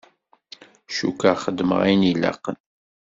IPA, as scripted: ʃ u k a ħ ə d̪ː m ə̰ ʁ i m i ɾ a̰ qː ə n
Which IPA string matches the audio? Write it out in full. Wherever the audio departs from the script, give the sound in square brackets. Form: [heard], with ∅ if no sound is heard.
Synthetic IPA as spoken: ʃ u k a [χ] ə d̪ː m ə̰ ʁ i [n] i [l] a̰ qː ə n